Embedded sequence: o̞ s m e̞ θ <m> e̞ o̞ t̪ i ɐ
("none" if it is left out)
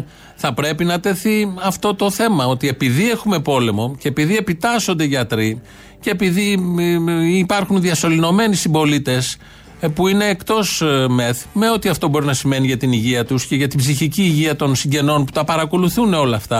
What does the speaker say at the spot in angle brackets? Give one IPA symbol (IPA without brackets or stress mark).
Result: m